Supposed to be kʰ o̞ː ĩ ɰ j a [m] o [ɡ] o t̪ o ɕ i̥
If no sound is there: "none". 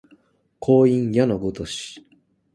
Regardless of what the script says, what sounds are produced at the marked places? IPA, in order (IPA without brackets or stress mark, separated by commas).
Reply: n, ɡ